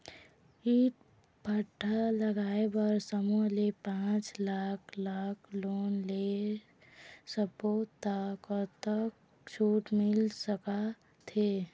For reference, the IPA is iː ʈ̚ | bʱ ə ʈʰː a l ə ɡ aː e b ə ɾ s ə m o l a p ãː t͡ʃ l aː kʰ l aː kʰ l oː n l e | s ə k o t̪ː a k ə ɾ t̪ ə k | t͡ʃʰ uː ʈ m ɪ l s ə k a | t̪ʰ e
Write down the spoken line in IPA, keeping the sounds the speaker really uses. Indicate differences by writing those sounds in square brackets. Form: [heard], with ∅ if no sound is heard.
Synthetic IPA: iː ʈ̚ | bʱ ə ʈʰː a l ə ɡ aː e b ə ɾ s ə m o l [e] p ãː t͡ʃ l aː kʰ l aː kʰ l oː n l e | s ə [p] o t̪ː a k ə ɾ t̪ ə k | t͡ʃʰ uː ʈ m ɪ l s ə k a | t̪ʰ e

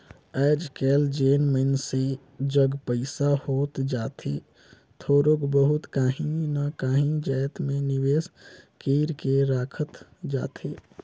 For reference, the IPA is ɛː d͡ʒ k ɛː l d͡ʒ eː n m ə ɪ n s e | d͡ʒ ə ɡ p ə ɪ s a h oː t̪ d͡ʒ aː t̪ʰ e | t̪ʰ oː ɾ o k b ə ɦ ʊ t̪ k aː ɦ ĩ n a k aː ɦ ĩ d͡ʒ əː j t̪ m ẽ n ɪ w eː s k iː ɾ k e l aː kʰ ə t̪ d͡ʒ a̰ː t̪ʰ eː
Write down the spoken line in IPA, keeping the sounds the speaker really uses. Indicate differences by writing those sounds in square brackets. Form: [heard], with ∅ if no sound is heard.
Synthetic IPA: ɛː d͡ʒ k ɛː l d͡ʒ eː n m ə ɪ n s e | d͡ʒ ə ɡ p ə ɪ s a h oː t̪ d͡ʒ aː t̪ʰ e | t̪ʰ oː ɾ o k b ə ɦ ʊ t̪ k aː ɦ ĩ n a k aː ɦ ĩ d͡ʒ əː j t̪ m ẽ n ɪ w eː s k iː ɾ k e [ɾ] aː kʰ ə t̪ d͡ʒ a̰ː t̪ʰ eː

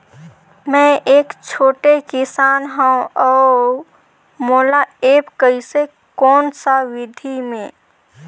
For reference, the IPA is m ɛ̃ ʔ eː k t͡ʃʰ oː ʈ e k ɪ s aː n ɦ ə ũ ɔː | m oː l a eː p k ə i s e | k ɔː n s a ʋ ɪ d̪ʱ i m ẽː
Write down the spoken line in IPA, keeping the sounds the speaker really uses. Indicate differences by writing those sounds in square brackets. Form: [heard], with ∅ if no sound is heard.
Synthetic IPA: m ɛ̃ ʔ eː k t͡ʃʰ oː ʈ e k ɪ s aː n ɦ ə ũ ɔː | m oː l a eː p k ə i s e | k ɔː n s a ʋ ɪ d̪ʱ i m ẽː

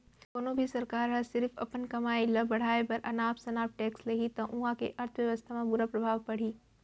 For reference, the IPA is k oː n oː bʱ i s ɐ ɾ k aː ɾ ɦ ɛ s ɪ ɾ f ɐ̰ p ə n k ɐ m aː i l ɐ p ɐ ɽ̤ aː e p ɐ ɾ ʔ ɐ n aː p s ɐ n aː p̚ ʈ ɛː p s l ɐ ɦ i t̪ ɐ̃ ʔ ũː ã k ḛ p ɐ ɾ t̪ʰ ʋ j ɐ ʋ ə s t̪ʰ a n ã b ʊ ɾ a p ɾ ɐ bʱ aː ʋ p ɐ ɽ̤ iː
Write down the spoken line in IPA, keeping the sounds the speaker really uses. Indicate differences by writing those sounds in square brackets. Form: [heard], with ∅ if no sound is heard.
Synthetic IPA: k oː n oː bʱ i s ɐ ɾ k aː ɾ ɦ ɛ s ɪ ɾ f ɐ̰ p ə n k ɐ m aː i l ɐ [b] ɐ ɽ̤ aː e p ɐ ɾ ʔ ɐ n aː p s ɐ n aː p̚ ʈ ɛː [k] s l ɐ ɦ i t̪ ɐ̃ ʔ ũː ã k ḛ [ʔ] ɐ ɾ t̪ʰ ʋ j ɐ ʋ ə s t̪ʰ a [m] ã b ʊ ɾ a p ɾ ɐ bʱ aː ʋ p ɐ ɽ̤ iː

